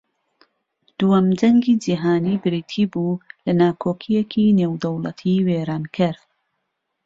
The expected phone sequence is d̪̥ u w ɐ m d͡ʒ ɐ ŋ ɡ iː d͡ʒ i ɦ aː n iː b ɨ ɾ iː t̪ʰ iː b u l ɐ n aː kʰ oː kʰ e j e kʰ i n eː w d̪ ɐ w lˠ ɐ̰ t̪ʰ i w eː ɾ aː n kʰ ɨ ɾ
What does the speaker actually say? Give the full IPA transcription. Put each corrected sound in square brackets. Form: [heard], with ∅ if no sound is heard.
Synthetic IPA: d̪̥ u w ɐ m d͡ʒ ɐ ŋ ɡ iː d͡ʒ i ɦ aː n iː b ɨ ɾ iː t̪ʰ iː b u l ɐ n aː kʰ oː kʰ [i] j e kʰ i n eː w d̪ ɐ w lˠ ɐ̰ t̪ʰ i w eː ɾ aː n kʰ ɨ ɾ